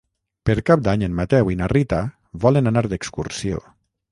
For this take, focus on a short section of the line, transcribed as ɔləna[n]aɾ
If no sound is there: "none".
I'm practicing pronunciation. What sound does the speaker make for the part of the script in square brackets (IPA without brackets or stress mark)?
n